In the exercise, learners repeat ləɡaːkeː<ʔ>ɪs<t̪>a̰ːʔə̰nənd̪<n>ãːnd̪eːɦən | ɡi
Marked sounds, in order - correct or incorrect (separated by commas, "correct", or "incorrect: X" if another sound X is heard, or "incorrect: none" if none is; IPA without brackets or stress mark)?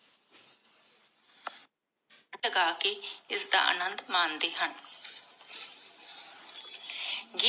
incorrect: none, incorrect: d̪, incorrect: m